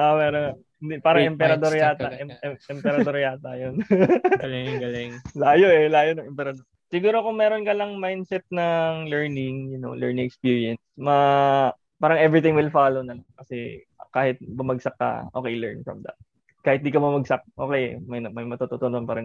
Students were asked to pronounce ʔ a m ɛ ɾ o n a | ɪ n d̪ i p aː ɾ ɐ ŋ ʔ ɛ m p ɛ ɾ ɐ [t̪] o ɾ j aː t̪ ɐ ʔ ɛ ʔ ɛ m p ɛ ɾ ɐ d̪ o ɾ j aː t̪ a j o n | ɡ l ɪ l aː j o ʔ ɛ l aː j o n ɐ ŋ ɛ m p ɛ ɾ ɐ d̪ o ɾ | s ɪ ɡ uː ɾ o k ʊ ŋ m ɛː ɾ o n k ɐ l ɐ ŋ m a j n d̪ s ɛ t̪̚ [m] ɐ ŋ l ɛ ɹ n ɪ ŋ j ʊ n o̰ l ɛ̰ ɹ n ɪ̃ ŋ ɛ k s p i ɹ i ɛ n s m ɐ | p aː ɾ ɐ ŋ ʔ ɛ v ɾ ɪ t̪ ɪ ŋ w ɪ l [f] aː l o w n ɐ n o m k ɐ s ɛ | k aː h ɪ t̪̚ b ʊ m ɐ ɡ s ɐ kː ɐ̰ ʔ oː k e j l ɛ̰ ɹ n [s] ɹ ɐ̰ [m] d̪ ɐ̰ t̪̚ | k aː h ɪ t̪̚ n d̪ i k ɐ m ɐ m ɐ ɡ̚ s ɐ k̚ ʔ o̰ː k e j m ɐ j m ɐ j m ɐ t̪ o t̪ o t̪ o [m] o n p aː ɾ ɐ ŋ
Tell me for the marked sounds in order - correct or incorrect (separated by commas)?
incorrect, incorrect, correct, incorrect, correct, incorrect